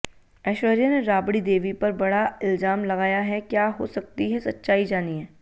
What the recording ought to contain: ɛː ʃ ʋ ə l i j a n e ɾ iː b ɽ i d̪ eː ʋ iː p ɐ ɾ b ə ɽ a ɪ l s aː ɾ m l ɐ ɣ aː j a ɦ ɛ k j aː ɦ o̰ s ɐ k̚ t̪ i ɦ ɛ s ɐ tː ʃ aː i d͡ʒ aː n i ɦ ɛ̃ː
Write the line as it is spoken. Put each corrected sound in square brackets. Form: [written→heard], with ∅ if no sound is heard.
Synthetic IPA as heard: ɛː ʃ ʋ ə [l→ɾ] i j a n e ɾ [iː→aː] b ɽ i d̪ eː ʋ [iː→i] p ɐ ɾ b [ə→ɐ] ɽ a ɪ l [s→z] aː [ɾ→∅] m l ɐ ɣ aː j a ɦ ɛ k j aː ɦ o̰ s ɐ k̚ t̪ i ɦ ɛ s ɐ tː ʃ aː i d͡ʒ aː n i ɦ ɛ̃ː